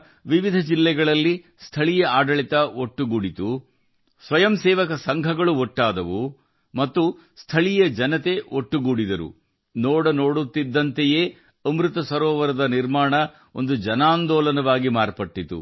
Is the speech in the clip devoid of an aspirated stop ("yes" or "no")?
no